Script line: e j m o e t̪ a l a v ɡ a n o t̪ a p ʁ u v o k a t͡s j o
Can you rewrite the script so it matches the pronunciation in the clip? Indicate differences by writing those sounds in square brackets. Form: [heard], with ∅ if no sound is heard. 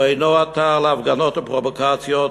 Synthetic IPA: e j [n] o [a] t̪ a l a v ɡ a n o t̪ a p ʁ [o] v o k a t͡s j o